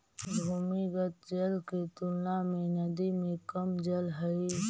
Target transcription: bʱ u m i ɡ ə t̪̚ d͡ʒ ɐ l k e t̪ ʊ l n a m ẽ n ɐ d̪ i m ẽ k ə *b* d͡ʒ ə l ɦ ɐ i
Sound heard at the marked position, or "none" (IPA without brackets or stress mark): m